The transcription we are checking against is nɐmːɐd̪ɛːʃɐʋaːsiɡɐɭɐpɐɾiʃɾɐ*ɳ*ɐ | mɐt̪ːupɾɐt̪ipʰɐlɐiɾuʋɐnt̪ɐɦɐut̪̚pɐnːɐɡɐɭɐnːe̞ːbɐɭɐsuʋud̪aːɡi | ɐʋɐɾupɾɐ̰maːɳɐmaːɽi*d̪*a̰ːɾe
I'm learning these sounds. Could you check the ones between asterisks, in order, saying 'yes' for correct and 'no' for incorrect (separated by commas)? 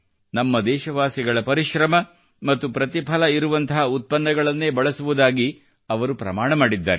no, no